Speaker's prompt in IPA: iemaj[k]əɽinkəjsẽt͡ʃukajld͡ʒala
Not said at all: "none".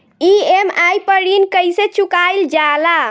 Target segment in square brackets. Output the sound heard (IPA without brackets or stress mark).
p